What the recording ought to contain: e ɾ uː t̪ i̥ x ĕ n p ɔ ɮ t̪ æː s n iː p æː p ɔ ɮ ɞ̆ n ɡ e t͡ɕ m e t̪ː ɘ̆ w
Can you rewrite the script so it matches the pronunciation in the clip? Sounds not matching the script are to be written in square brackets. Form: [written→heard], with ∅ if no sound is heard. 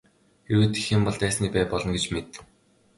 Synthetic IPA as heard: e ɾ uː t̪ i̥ x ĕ [n→m] p ɔ ɮ t̪ æː s n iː p æː p ɔ ɮ ɞ̆ n ɡ e t͡ɕ m e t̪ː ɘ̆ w